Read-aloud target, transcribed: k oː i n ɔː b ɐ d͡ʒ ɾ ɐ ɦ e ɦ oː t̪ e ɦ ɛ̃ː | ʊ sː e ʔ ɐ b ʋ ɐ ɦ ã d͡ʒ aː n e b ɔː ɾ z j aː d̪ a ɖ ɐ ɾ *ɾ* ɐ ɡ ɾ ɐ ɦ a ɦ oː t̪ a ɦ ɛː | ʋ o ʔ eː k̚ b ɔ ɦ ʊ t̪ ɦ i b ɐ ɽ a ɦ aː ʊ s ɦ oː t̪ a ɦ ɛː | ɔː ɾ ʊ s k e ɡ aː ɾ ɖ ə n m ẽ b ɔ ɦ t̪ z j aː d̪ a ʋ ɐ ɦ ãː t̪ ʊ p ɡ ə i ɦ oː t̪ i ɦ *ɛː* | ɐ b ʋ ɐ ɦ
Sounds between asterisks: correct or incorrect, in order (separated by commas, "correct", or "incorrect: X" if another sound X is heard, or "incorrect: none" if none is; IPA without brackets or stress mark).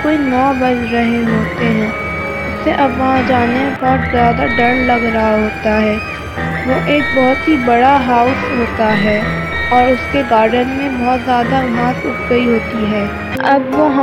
incorrect: l, correct